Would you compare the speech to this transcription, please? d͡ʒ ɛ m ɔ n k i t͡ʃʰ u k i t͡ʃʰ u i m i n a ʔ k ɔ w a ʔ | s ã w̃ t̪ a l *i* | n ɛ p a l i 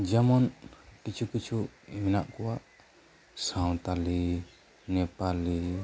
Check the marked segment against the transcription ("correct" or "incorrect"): correct